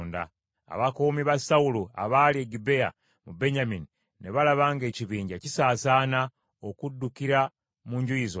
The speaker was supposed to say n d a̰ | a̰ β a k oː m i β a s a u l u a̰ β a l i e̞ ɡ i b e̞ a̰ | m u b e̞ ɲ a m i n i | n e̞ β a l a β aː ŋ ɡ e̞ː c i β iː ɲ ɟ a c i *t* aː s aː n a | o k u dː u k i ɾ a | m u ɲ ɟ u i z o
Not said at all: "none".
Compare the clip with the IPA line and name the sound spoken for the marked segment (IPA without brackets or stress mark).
s